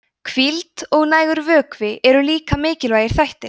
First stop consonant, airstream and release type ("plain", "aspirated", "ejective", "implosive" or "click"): aspirated